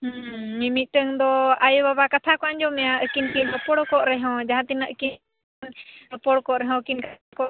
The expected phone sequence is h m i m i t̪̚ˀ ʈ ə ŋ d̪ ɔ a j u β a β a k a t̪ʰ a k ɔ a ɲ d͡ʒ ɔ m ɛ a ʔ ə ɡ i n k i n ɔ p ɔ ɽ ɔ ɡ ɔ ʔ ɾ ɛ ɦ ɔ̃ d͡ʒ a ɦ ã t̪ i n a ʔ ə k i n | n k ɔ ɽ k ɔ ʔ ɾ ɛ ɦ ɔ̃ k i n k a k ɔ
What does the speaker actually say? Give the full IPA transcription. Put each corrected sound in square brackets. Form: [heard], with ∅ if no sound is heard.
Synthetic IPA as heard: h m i m i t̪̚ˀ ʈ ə ŋ d̪ ɔ a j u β a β a k a t̪ʰ a k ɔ a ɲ d͡ʒ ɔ m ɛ a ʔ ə [k] i n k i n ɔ p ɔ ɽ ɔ [k] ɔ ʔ ɾ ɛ ɦ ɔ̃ d͡ʒ a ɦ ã t̪ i n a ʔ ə k i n | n [p] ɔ ɽ k ɔ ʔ ɾ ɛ ɦ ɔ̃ k i n k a k ɔ